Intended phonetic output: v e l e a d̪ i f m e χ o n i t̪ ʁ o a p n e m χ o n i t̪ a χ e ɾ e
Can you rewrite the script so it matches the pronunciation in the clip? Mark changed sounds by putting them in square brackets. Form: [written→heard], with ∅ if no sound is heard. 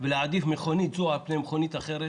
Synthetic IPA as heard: v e l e a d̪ i f m e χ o n i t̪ [ʁ→z] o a p n e m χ o n i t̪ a χ e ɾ e